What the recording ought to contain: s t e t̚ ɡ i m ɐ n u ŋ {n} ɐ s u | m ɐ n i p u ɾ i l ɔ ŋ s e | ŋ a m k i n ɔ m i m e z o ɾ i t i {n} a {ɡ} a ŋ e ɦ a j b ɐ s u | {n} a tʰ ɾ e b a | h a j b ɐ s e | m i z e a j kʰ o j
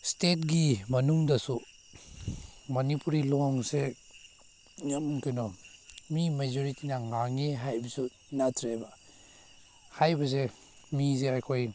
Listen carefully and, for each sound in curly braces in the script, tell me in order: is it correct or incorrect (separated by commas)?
incorrect, correct, incorrect, correct